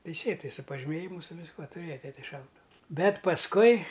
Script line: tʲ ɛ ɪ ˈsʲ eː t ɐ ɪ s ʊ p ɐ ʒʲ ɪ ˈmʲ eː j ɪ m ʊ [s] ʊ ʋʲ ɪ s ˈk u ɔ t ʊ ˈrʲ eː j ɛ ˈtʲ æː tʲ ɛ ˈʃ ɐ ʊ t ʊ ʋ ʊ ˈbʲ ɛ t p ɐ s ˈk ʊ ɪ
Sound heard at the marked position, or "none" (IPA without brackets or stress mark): s